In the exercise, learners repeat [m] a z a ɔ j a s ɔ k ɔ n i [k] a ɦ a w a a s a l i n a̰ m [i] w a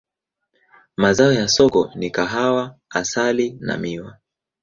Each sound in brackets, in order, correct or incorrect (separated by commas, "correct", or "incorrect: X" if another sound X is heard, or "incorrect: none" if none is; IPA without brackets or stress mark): correct, correct, correct